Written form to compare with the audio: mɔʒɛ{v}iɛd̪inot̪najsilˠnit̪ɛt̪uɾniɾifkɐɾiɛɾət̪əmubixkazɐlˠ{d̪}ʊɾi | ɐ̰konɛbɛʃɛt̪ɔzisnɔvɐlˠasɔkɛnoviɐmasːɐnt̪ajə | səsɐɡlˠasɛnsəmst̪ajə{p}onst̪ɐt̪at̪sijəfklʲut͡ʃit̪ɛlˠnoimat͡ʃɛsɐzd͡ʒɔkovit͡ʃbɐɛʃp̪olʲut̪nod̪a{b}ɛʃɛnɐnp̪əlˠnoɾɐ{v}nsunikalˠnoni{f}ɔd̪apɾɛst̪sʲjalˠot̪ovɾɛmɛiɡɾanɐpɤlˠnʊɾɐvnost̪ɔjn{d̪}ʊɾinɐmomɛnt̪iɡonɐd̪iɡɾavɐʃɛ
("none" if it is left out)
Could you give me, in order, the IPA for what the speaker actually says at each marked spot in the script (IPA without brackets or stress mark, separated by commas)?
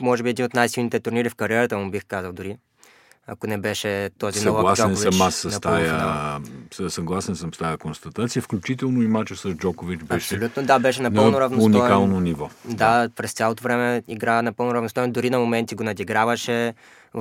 b, d̪, k, b, v, v, d̪